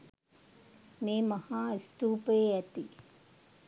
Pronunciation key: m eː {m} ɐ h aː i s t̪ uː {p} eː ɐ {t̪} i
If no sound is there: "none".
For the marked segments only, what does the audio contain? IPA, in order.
m, p, t̪

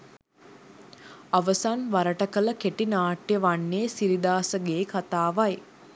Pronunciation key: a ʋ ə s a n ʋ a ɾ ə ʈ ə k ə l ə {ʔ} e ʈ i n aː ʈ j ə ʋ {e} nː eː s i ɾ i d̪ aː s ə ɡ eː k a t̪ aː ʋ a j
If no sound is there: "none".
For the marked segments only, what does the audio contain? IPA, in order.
k, a

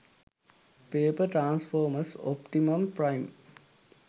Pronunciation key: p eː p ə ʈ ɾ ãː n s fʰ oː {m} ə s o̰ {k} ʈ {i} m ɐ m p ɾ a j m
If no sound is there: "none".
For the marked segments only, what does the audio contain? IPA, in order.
m, p, i

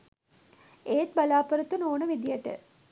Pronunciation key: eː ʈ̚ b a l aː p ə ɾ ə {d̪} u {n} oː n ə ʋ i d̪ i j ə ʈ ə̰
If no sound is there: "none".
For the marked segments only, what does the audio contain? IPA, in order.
t̪, n

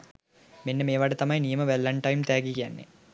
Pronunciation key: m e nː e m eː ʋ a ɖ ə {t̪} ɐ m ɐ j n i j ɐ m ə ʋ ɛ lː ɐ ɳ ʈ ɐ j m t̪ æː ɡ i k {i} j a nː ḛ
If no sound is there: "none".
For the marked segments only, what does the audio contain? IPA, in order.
t̪, i

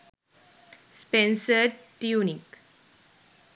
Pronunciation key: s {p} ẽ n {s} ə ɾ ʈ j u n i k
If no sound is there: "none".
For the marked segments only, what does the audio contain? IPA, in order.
p, s

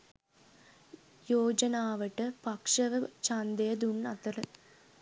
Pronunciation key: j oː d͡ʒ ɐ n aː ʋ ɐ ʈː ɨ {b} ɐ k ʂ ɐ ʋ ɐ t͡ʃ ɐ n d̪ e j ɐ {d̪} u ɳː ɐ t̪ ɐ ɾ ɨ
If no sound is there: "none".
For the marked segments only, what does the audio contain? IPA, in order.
p, d̪

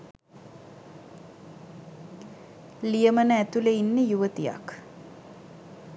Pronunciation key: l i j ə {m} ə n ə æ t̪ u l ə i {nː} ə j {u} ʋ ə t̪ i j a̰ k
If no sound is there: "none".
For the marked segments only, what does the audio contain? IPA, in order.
m, nː, u

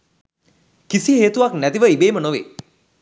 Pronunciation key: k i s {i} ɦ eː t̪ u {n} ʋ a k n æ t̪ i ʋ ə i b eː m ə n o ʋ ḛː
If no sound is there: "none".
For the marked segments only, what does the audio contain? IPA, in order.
i, none

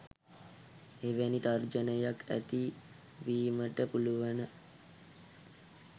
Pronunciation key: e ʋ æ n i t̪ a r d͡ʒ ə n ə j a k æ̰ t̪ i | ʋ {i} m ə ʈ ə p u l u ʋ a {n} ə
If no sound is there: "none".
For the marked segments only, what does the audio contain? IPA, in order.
iː, n

